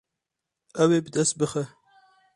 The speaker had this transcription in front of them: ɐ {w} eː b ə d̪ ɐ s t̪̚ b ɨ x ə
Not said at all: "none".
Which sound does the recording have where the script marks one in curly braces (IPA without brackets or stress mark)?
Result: w